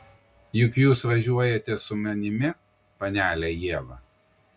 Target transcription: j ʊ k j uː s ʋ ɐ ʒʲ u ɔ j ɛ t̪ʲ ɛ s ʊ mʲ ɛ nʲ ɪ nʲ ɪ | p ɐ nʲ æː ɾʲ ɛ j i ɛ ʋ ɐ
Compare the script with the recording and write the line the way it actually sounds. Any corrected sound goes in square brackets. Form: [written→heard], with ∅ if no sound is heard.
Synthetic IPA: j ʊ k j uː s ʋ ɐ ʒʲ u ɔ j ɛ t̪ʲ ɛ s ʊ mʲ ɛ nʲ ɪ [nʲ→mʲ] ɪ | p ɐ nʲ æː [ɾʲ→lʲ] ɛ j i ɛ ʋ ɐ